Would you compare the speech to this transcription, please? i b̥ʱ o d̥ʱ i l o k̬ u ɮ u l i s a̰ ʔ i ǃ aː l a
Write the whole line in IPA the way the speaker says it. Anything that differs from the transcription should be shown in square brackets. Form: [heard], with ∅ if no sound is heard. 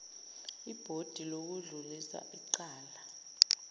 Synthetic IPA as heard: i b̥ʱ o d̥ʱ i l o k̬ u ɮ u l i s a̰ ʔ i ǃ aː l a